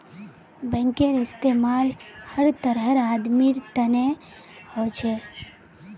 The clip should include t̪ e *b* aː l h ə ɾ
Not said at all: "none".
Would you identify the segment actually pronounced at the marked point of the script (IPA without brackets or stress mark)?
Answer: m